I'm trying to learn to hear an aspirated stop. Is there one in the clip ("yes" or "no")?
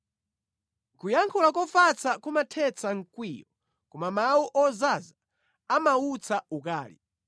yes